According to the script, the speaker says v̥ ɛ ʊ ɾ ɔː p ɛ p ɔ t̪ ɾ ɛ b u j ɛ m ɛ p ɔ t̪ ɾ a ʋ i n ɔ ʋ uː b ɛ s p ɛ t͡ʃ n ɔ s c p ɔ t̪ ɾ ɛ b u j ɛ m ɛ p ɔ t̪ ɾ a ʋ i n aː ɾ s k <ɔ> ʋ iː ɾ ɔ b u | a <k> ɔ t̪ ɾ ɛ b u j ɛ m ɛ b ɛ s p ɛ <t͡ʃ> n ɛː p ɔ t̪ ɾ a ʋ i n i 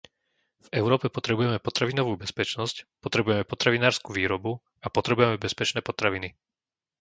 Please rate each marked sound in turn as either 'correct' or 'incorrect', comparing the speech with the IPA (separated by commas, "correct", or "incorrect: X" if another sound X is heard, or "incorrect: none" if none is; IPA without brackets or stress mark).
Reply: incorrect: u, incorrect: p, correct